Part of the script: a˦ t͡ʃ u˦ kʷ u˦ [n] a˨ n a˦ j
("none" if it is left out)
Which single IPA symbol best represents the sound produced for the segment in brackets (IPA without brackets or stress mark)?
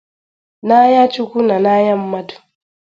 n